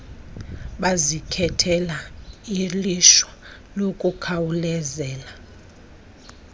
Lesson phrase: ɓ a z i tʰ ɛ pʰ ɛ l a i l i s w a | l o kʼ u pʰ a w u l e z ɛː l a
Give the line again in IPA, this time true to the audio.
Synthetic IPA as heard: ɓ a z i kʰ ɛ tʰ ɛ l a i l i ʃ w a | l o kʼ u kʰ a w u l ɛ z ɛː l a